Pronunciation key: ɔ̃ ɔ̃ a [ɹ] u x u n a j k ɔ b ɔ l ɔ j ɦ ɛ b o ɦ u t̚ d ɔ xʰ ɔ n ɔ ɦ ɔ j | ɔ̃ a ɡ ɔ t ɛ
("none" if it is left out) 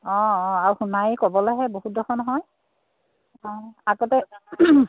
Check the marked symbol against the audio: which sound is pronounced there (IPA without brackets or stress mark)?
ɹ